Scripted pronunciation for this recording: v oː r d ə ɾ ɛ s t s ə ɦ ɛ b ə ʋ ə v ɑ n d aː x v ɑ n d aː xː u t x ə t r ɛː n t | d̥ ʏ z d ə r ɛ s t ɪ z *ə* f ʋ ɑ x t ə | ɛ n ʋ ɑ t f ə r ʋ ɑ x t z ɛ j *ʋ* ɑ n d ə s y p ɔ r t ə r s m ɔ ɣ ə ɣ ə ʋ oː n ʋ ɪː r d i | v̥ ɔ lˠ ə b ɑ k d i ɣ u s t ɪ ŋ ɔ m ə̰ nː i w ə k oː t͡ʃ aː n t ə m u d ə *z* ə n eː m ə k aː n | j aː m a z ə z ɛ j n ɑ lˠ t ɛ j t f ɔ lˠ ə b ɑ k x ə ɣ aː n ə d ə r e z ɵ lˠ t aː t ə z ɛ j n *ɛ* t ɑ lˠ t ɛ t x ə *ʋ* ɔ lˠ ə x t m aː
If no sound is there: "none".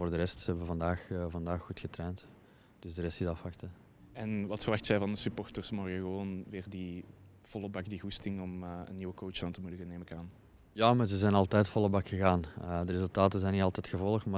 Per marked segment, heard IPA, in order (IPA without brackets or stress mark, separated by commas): ɑ, v, ɣ, i, v